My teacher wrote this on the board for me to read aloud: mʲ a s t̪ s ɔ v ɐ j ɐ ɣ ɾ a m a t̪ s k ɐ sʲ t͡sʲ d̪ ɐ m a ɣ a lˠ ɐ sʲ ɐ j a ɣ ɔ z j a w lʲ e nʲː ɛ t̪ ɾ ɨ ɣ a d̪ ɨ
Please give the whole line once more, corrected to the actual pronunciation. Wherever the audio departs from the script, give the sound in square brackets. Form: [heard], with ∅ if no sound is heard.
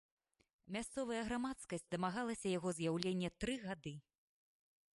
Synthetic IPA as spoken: mʲ a s t̪ s ɔ v ɐ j ɐ ɣ ɾ a m a t̪ s k ɐ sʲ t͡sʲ d̪ ɐ m a ɣ a lˠ ɐ sʲ ɐ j a ɣ ɔ z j a w lʲ e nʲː ɛ t̪ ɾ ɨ ɣ a d̪ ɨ